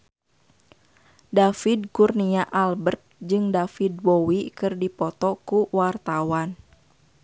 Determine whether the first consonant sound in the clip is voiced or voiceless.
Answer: voiced